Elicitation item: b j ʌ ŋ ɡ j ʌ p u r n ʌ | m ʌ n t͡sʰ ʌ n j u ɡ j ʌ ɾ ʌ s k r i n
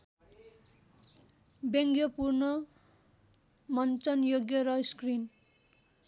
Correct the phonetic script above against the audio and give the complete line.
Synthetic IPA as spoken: b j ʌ ŋ ɡ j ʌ p u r n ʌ | m ʌ n t͡s ʌ n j o ɡ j ʌ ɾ ʌ s k r i n